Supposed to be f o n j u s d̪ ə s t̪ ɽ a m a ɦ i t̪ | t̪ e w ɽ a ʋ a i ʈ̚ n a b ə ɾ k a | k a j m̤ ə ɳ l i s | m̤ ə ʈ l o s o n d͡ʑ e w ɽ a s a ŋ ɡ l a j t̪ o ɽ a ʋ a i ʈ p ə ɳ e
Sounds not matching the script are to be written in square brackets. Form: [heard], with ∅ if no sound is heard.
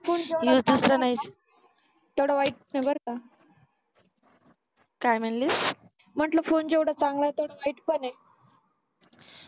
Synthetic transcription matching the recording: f o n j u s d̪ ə s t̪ [ɾ] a [n] a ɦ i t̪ | t̪ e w ɽ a ʋ a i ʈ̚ n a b ə ɾ k a | k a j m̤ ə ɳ l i s | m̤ ə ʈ l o [f] o n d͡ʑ e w ɽ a [t͡s] a ŋ ɡ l a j t̪ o ɽ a ʋ a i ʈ p ə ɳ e